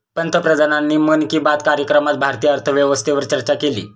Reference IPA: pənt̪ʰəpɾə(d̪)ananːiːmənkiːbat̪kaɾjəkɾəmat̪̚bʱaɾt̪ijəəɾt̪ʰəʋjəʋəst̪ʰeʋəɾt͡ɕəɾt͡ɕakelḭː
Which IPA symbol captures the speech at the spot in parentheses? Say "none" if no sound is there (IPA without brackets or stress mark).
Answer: d̪